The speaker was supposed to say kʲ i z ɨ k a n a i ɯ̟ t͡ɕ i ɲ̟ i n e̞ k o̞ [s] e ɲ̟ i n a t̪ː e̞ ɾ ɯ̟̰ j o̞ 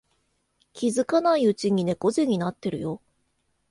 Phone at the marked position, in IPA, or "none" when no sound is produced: z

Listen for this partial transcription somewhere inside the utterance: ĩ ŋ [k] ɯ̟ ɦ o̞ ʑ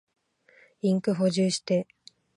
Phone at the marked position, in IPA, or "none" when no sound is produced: k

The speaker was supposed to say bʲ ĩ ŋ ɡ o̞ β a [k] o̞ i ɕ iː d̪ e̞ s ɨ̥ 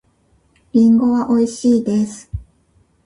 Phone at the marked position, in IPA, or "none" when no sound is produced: ʔ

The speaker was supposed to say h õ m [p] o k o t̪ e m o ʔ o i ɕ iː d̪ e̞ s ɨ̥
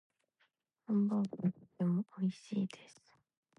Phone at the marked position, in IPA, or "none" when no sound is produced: b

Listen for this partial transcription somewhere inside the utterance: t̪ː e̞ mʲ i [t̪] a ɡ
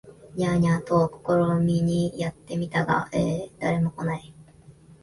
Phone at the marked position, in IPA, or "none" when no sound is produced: t̪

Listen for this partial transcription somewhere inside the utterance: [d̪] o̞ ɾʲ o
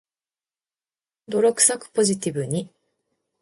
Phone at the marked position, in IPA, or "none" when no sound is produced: d̪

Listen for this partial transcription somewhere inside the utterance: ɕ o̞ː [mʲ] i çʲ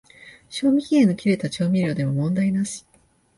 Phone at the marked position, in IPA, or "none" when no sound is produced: mʲ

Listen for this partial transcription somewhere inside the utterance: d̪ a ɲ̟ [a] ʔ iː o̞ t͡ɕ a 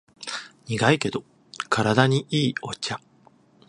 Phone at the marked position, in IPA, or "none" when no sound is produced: i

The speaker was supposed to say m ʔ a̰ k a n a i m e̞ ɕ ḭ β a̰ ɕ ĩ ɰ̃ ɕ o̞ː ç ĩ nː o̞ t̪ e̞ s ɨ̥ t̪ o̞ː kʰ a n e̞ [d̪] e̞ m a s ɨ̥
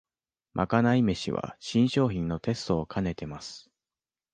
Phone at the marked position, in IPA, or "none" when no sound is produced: t̪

